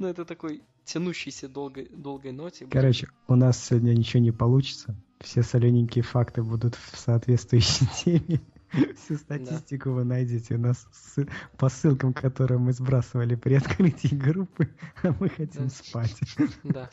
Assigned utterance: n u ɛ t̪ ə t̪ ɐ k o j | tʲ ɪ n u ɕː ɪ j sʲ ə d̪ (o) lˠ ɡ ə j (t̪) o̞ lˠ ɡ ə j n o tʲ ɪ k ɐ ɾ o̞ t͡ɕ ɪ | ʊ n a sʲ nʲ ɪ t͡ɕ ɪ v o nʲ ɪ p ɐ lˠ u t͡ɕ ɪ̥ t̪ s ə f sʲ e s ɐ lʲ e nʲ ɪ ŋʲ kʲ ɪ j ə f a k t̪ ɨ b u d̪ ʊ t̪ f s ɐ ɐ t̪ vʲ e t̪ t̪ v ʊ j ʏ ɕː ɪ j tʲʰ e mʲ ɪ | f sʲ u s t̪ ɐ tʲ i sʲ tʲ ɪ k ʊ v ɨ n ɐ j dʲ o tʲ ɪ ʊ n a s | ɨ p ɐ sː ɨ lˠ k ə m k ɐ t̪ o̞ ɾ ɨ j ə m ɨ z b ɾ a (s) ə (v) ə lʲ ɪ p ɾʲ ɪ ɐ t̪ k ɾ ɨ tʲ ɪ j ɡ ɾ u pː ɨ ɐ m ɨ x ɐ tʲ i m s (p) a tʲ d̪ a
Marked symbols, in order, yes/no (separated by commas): yes, no, yes, yes, yes